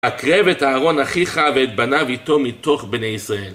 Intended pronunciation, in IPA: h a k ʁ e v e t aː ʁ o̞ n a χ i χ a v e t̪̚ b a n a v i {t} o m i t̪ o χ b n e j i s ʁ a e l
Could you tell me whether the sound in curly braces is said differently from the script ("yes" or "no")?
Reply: no